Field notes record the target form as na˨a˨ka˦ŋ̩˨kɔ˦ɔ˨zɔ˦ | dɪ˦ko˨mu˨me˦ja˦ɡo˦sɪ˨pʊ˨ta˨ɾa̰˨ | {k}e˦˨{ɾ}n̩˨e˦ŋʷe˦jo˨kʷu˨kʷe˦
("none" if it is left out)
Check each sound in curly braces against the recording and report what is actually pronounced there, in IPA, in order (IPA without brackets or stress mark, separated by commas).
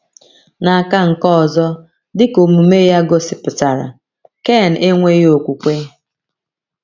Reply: k, none